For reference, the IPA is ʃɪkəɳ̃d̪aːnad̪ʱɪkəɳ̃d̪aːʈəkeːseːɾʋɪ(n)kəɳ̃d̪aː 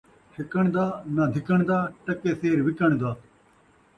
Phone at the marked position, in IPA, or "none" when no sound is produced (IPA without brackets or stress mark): none